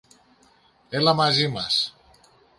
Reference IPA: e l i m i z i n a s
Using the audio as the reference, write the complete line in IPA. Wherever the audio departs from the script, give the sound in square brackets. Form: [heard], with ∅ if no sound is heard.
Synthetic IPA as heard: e l [a] m [a] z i [m] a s